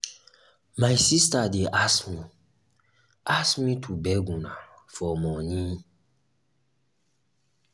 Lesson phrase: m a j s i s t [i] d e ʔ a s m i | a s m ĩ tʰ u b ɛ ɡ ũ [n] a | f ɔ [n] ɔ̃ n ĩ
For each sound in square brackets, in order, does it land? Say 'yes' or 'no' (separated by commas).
no, yes, no